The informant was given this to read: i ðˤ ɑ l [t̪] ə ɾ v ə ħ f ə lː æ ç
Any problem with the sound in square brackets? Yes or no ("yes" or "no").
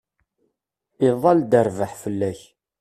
yes